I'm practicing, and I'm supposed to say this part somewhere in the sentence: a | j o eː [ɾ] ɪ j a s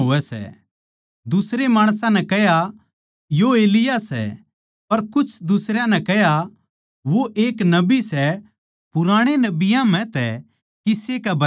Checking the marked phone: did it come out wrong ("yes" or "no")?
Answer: yes